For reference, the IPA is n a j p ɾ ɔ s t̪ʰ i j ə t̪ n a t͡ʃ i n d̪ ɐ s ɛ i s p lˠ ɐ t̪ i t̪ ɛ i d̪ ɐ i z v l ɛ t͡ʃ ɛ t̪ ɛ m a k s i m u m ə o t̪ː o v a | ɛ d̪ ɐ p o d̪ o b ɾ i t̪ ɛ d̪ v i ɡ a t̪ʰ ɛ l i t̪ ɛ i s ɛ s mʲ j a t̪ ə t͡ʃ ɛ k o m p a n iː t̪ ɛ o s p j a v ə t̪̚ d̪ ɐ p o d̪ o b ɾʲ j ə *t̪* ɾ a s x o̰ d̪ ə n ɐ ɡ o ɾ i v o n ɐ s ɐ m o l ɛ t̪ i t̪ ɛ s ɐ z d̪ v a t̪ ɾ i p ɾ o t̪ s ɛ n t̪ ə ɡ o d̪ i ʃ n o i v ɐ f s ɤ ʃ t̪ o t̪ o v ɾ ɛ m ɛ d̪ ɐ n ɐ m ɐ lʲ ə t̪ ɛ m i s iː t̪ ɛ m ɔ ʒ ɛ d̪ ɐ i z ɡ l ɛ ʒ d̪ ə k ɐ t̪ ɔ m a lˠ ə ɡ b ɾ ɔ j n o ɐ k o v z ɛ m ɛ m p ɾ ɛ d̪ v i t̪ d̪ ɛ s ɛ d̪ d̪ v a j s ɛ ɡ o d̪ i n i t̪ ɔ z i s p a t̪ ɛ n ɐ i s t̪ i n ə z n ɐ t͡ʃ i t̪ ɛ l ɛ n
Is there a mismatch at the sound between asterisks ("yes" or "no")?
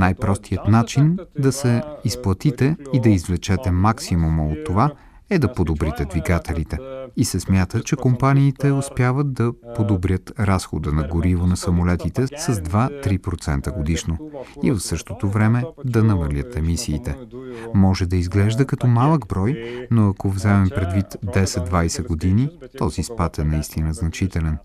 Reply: no